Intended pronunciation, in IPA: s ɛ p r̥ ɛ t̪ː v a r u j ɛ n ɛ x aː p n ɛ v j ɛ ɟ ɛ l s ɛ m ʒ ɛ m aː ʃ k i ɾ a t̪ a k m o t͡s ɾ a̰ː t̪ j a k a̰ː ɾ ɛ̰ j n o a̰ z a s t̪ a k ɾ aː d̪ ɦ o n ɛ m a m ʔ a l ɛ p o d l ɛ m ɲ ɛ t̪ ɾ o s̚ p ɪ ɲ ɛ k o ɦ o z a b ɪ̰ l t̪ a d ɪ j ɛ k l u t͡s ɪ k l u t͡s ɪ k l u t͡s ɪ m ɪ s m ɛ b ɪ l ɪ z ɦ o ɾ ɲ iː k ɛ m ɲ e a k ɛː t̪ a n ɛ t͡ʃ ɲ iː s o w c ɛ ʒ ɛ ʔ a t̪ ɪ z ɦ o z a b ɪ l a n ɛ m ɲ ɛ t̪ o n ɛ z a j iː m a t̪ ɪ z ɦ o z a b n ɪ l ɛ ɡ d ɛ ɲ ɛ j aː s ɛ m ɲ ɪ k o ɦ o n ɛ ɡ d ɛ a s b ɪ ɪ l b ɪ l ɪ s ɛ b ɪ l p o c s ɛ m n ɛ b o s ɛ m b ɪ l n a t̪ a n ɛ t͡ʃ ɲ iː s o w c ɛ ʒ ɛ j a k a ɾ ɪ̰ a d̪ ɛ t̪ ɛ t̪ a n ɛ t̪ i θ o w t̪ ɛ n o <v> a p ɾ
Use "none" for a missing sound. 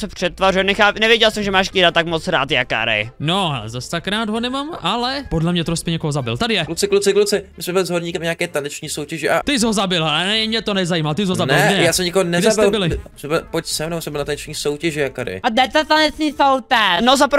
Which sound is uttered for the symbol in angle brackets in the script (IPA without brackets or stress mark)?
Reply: z